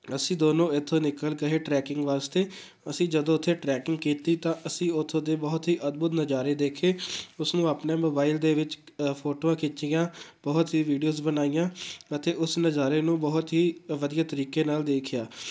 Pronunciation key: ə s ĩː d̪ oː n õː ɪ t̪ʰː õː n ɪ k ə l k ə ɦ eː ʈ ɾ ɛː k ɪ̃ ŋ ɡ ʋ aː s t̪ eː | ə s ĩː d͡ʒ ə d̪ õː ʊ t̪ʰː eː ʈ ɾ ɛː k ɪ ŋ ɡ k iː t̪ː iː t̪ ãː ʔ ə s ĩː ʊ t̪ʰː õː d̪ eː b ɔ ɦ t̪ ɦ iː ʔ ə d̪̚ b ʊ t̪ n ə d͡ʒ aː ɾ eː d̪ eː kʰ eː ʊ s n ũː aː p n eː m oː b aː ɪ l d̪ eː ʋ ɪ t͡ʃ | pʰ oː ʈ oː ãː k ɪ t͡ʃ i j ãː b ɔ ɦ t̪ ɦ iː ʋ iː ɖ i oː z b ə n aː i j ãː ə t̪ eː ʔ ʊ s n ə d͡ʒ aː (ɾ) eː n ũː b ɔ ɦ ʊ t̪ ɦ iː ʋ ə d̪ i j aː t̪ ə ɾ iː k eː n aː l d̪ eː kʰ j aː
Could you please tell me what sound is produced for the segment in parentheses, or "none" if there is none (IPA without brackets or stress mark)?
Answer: ɾ